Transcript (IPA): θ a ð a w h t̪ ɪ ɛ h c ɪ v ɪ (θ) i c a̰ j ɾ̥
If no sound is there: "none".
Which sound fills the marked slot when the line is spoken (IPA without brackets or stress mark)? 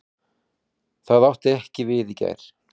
ð